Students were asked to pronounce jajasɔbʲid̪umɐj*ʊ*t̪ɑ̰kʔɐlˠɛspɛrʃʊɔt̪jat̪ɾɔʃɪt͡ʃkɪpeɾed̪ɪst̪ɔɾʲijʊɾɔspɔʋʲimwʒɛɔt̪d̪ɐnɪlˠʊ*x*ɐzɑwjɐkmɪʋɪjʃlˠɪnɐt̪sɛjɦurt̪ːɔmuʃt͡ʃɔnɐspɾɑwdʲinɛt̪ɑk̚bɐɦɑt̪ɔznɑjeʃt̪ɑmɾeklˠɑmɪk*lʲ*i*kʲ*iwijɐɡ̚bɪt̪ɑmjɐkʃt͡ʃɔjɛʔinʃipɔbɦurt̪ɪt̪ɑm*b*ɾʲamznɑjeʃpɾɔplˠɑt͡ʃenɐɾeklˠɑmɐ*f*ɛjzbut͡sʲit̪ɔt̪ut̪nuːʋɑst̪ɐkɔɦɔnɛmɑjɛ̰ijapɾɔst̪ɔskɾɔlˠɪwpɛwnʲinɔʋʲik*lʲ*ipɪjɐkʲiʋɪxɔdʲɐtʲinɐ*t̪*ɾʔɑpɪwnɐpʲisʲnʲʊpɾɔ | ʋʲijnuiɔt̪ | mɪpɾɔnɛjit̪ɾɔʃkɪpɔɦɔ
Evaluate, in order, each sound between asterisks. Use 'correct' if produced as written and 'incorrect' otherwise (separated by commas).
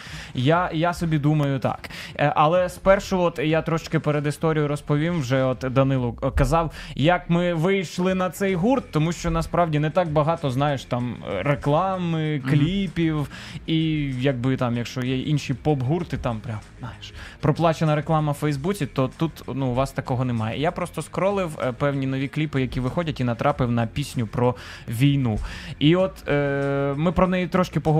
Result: correct, incorrect, correct, incorrect, incorrect, correct, correct, correct